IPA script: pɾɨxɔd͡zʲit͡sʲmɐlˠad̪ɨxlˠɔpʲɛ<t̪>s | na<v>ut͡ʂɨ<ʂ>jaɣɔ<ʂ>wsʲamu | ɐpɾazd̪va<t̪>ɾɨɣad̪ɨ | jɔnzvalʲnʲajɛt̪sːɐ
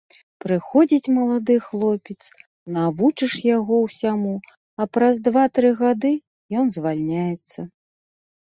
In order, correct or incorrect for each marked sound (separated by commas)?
correct, correct, correct, incorrect, correct